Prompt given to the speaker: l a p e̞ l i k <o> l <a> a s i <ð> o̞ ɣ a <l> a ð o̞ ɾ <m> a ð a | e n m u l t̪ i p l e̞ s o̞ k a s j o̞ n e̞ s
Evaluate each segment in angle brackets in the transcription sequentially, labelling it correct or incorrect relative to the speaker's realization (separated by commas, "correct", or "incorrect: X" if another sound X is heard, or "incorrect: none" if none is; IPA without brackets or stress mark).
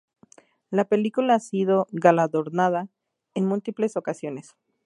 incorrect: u, correct, correct, correct, incorrect: n